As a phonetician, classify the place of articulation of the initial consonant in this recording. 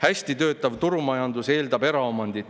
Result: glottal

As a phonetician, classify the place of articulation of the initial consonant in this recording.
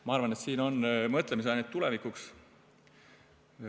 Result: labial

